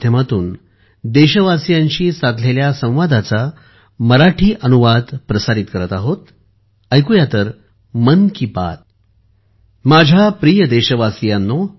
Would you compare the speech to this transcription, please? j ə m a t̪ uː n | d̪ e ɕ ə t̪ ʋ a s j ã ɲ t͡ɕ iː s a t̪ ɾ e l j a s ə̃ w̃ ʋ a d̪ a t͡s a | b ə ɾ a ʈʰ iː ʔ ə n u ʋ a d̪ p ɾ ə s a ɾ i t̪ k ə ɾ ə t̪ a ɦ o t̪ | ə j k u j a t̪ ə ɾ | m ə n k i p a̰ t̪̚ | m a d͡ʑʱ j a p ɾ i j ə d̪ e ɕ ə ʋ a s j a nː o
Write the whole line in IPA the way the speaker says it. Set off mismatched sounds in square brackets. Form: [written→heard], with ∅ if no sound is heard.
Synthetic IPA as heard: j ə m a t̪ uː n | d̪ e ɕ ə [t̪→∅] ʋ a s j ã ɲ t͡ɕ iː s a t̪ [ɾ→l] e l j a s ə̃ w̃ ʋ a d̪ a t͡s a | [b→m] ə ɾ a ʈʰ iː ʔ ə n u ʋ a d̪ p ɾ ə s a ɾ i t̪ k ə ɾ ə t̪ a ɦ o t̪ | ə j k u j a t̪ ə ɾ | m ə n k i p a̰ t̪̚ | m a d͡ʑʱ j a p ɾ i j ə d̪ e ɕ ə ʋ a s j a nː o